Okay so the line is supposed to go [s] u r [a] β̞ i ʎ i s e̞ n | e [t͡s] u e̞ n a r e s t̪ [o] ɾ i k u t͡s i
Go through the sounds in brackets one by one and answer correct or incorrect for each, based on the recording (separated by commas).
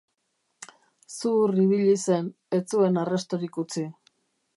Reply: correct, incorrect, correct, correct